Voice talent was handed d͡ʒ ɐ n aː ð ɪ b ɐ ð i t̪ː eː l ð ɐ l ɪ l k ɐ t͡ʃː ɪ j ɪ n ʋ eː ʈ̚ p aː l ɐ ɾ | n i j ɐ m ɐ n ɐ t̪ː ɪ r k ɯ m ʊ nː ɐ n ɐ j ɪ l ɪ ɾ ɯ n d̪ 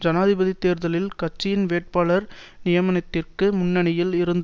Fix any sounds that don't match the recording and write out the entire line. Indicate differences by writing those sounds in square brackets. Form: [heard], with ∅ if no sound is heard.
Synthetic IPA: d͡ʒ ɐ n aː ð ɪ b ɐ ð i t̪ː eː [ɾ] ð ɐ l ɪ l k ɐ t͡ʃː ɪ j ɪ n ʋ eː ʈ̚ p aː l ɐ ɾ | n [ɪ] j ɐ m ɐ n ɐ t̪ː ɪ r k ɯ m ʊ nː ɐ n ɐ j ɪ l ɪ ɾ ɯ n d̪